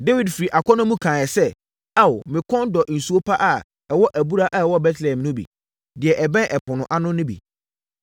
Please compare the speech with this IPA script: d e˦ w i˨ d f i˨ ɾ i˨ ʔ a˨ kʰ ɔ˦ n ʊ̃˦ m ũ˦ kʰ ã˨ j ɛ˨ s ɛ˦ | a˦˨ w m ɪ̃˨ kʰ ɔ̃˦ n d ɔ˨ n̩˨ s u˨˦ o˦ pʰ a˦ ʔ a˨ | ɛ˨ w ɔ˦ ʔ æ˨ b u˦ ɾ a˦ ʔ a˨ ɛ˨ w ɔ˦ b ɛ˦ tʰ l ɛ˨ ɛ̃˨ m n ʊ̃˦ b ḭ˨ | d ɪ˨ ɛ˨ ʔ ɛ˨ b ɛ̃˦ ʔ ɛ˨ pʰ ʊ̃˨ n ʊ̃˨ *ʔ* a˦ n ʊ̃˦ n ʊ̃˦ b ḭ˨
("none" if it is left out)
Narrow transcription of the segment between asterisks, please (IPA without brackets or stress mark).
ʔ